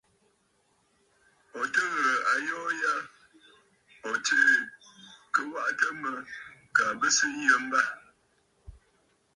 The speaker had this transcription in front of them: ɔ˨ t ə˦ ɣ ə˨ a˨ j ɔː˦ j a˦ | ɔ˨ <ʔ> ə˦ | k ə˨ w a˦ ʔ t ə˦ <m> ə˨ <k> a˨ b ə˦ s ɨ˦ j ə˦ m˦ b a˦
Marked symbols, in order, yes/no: no, yes, yes

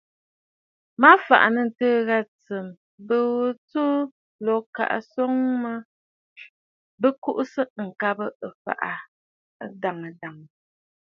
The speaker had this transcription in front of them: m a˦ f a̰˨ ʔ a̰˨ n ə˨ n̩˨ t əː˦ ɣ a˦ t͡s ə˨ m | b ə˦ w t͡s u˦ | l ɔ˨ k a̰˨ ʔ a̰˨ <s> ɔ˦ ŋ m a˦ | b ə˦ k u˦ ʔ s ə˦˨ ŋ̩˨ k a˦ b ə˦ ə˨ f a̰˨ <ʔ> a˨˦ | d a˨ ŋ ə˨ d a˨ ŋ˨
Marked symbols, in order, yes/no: yes, yes

